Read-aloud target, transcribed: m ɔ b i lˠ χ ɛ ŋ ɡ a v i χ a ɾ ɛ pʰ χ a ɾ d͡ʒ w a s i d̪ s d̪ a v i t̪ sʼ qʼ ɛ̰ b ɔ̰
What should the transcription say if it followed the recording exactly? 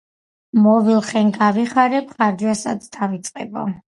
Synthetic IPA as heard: m ɔ v i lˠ χ ɛ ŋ ɡ a v i χ a ɾ ɛ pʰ χ a ɾ d͡ʒ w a s a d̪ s d̪ a v i t̪ sʼ qʼ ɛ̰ b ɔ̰